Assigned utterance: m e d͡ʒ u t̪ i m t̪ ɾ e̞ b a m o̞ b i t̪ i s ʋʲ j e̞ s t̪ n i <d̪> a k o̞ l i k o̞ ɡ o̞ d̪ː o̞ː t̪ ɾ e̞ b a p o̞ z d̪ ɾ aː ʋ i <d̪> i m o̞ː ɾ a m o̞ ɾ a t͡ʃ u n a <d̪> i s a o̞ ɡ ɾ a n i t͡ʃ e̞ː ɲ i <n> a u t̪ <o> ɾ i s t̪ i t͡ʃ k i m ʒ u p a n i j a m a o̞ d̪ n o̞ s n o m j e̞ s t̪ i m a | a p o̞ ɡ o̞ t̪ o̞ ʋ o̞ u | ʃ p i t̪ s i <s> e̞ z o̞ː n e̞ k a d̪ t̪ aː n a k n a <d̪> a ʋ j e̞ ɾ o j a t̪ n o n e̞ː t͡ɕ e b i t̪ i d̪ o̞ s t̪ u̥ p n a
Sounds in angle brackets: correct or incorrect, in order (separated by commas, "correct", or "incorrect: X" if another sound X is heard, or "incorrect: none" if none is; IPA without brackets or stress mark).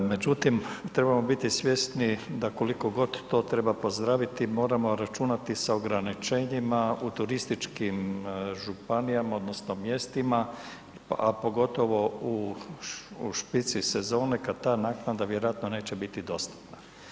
correct, incorrect: t̪, incorrect: t̪, incorrect: m, incorrect: u, correct, correct